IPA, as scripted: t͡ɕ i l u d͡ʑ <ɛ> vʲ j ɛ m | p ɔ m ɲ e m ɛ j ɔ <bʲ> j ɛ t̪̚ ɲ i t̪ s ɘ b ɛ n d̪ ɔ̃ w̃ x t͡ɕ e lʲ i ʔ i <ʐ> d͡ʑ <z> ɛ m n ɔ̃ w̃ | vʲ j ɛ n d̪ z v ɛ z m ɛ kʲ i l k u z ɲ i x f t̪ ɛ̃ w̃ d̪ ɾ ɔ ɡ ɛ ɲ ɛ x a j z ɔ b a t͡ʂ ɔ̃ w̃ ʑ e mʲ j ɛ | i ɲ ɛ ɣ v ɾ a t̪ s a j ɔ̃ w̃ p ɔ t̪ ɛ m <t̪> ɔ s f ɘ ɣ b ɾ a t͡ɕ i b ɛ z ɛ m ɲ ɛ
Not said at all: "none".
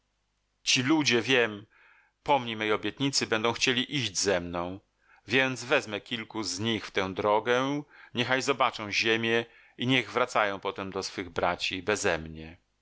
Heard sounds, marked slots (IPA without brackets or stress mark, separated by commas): ɛ, bʲ, ʑ, z, d̪